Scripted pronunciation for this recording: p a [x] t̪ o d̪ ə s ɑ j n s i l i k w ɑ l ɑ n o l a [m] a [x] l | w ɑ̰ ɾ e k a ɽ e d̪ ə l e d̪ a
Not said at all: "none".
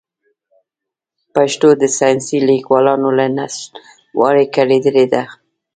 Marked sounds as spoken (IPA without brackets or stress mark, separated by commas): ʃ, n, s